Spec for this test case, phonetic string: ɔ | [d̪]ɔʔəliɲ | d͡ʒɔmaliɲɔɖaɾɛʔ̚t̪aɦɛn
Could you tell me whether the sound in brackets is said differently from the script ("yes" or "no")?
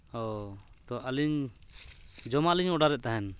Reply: yes